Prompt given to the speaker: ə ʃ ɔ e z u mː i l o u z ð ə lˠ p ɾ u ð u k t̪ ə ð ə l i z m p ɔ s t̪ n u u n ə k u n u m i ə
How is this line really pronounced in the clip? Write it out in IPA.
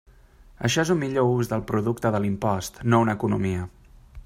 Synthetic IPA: ə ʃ ɔ e z u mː i ʎ o u z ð ə lˠ p ɾ u ð u k t̪ ə ð ə l i m p ɔ s t̪ n o u n ə k u n u m i ə

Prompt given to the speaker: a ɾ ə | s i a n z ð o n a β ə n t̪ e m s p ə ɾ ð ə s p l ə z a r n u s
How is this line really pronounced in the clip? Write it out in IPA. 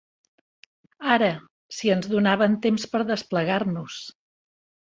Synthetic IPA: a ɾ ə | s i ə n z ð u n a β ə n t̪ e m s p ə ɾ ð ə s p l ə ɣ a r n u s

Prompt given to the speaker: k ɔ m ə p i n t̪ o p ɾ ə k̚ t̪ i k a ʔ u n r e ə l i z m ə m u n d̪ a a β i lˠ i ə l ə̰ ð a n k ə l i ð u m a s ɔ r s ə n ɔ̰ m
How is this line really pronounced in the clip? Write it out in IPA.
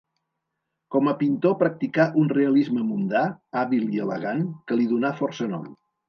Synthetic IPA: k ɔ m ə p i n t̪ o p ɾ ə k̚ t̪ i k a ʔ u n r e ə l i z m ə m u n d̪ a a β i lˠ i ə l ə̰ ɣ a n k ə l i ð u n a f ɔ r s ə n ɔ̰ m

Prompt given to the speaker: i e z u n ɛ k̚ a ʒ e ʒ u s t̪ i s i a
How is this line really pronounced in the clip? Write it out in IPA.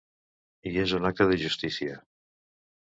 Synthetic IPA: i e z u n a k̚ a ð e ʒ u s t̪ i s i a

